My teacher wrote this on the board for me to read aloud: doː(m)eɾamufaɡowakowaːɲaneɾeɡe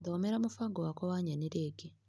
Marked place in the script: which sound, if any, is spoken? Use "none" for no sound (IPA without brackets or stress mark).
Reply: m